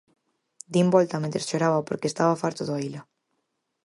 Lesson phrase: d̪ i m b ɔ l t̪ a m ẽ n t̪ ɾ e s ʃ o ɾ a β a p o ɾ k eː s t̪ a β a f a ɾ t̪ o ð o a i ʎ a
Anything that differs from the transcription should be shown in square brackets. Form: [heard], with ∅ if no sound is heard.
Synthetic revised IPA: d̪ i m b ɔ l t̪ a m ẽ n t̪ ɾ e s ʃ o ɾ a β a p o ɾ k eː s t̪ a β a f a ɾ t̪ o ð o a i [l] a